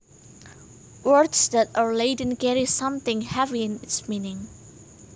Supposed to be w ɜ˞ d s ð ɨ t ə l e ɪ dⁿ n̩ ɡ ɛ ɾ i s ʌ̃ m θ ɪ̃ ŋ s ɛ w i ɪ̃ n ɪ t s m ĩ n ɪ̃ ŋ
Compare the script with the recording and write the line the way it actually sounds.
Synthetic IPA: w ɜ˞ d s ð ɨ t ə l e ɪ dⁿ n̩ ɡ ɛ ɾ i s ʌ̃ m θ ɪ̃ ŋ h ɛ v i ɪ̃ n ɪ t s m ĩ n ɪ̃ ŋ